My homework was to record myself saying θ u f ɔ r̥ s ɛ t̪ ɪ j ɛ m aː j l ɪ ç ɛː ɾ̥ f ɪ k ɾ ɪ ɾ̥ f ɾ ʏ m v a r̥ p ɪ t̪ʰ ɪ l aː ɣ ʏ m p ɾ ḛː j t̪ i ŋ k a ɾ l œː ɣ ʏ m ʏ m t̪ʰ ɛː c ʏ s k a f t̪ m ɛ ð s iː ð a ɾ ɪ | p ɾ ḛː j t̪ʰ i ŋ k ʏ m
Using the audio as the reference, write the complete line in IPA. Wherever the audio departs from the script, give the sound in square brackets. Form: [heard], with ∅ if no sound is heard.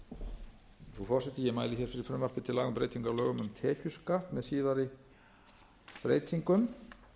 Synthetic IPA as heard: θ u f ɔ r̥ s ɛ t̪ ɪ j ɛ m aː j l ɪ ç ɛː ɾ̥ f ɪ [∅] ɾ ɪ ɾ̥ f ɾ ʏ m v a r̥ p ɪ t̪ʰ ɪ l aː ɣ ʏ m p ɾ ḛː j t̪ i ŋ k a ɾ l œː ɣ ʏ m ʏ m t̪ʰ ɛː c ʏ s k a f t̪ m ɛ ð s iː ð a ɾ ɪ | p ɾ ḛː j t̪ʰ i ŋ k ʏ m